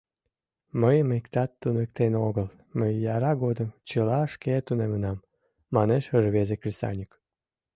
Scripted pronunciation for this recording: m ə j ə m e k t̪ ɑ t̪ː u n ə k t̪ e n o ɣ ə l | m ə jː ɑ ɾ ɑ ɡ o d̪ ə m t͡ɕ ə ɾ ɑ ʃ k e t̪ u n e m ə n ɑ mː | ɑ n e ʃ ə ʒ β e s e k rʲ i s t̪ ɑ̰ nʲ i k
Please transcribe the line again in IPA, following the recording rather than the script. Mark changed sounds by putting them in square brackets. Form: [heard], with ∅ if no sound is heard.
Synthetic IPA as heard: m ə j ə m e k t̪ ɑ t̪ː u n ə k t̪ e n o ɣ ə l | m ə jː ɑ ɾ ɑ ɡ o d̪ ə m t͡ɕ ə [l] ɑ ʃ k e t̪ u n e m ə n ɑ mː | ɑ n e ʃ ə ʒ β e [z] e k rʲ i s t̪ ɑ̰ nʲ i k

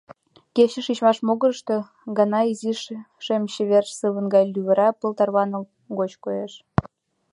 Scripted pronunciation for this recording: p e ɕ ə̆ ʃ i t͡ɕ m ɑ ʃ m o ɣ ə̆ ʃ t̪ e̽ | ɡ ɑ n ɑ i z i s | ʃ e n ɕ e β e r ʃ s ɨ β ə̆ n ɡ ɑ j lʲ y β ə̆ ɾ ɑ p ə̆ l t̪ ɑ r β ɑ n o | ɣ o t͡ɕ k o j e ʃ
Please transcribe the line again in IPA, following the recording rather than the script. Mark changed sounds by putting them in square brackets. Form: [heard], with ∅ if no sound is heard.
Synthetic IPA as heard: [k] e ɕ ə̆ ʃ i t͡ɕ m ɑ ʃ m o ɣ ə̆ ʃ t̪ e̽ | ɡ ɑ n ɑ i z i [ʃ] | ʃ e [m] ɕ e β e r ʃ s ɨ β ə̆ n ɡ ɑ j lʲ y β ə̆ ɾ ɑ p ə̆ l t̪ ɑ r β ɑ n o | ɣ o t͡ɕ k o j e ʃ

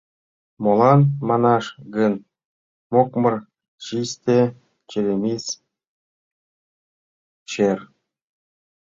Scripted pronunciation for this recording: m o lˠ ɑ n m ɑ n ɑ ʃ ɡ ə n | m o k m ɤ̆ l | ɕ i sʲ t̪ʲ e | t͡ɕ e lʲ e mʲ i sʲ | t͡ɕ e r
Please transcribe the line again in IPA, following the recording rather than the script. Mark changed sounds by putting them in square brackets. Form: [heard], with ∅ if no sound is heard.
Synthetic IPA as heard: m o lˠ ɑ n m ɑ n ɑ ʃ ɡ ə n | m o k m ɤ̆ [r] | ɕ i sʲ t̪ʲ e | t͡ɕ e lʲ e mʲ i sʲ | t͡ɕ e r

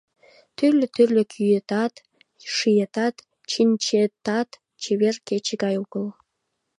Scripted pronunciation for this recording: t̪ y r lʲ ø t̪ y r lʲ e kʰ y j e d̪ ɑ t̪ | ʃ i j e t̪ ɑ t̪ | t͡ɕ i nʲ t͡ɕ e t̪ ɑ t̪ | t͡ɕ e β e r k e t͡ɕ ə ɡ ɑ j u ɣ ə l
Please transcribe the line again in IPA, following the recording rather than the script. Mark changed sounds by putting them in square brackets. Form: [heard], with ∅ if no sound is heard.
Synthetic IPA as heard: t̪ y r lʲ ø t̪ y r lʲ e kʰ y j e [t̪] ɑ t̪ | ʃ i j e t̪ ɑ t̪ | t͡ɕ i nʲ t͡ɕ e t̪ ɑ t̪ | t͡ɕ e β e r k e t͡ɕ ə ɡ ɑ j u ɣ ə l

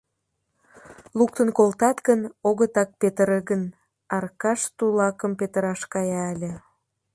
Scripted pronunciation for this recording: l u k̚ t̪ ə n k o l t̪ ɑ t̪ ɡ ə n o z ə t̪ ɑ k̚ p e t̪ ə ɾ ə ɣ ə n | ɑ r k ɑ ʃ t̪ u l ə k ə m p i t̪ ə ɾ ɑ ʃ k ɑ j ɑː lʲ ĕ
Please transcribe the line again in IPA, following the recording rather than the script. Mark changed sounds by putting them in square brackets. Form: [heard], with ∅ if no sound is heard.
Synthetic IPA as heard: l u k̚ t̪ ə n k o l t̪ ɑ t̪ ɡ ə n o [ɣ] ə t̪ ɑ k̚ p e t̪ ə ɾ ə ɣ ə n | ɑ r k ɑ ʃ t̪ u l [ɑ] k ə m p [e] t̪ ə ɾ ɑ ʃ k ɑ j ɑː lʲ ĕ

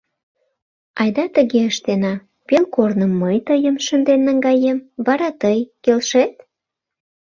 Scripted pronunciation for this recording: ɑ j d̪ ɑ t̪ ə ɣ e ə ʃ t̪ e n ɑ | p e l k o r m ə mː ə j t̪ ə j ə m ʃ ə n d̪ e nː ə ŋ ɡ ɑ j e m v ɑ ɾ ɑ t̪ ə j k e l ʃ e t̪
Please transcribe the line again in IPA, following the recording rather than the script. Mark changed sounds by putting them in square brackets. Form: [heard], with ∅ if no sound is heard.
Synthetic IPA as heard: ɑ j d̪ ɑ t̪ ə ɣ e ə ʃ t̪ e n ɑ | p e l k o r [n] ə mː ə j t̪ ə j ə m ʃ ə n d̪ e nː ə ŋ ɡ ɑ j e m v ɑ ɾ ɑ t̪ ə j k e l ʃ e t̪

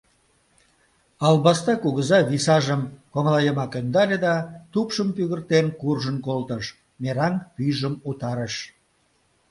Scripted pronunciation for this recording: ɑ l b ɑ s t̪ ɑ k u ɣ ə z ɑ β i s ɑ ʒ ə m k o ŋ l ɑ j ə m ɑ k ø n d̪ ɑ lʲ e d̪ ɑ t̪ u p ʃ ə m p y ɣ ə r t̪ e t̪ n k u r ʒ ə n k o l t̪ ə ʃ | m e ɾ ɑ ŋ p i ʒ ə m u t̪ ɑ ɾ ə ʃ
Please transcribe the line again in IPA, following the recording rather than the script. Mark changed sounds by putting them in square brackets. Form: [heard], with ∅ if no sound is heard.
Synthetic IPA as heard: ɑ l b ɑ s t̪ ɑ k u ɣ ə z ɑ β i s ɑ ʒ ə m k o ŋ l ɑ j ə m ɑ k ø n d̪ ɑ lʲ e d̪ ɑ t̪ u p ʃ ə m p y ɣ ə r t̪ e [∅] n k u r ʒ ə n k o l t̪ ə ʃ | m e ɾ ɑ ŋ p [y] ʒ ə m u t̪ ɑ ɾ ə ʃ

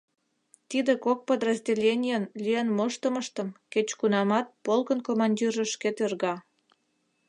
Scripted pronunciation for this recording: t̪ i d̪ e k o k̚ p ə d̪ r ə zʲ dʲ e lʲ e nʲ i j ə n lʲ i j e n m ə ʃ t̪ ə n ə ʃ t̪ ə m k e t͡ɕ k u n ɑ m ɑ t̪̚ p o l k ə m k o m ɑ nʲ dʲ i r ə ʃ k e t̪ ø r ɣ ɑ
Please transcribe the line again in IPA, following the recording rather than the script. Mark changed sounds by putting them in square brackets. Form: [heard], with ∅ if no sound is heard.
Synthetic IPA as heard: t̪ i d̪ e k o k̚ p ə d̪ r ə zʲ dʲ e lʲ e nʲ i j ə n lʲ i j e n m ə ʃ t̪ ə [m] ə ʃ t̪ ə m k e t͡ɕ k u n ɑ m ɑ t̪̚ p o l k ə [n] k o m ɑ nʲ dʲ i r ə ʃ k e t̪ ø r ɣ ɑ

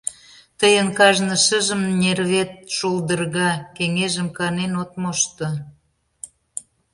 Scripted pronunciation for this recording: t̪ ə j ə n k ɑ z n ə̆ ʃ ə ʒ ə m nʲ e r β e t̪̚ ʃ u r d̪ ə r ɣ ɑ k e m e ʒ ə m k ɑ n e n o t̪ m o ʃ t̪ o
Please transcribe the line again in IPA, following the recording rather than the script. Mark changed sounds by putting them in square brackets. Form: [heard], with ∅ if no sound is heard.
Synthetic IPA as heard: t̪ ə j ə n k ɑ [ʒ] n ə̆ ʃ ə ʒ ə m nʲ e r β e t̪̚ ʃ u [l] d̪ ə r ɣ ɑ k e [ŋ] e ʒ ə m k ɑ n e n o t̪ m o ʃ t̪ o

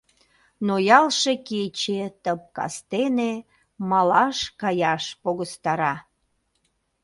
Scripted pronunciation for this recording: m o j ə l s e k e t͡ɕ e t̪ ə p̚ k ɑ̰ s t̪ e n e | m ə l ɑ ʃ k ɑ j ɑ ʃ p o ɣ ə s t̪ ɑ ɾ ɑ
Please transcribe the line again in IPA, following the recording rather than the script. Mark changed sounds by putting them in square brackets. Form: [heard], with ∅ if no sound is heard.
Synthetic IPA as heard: [n] o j [ɑ] l [ʃ] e k e t͡ɕ e t̪ ə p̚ k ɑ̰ s t̪ e n e | m [ɑ] l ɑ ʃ k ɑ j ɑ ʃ p o ɣ ə s t̪ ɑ ɾ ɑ

